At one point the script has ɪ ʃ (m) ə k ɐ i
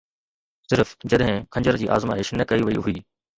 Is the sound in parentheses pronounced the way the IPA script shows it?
no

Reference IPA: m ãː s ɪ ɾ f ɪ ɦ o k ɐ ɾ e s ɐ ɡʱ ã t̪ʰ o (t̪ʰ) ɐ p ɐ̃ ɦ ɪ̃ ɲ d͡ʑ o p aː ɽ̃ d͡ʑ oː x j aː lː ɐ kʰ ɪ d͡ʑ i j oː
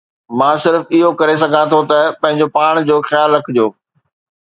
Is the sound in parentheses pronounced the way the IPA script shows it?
no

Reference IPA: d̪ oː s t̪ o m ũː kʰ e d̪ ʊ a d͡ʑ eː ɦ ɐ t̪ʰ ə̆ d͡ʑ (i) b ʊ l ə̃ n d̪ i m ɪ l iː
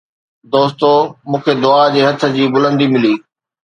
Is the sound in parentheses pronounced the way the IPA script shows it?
no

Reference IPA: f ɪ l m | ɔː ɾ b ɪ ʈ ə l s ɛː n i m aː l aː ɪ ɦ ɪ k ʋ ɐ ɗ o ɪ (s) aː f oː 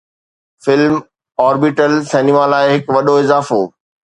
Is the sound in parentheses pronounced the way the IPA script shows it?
no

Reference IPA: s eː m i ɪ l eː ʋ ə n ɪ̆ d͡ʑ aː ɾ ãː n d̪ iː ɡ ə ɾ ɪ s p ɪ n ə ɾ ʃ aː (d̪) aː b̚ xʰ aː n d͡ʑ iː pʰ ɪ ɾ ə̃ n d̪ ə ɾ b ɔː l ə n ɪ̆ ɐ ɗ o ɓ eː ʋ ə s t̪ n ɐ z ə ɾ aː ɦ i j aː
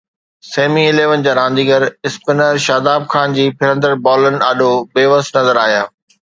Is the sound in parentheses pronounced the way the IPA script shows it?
yes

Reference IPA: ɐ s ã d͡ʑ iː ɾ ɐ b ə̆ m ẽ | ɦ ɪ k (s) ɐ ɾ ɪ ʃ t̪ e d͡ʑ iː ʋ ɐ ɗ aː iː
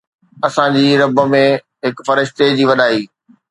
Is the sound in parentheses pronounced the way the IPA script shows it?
no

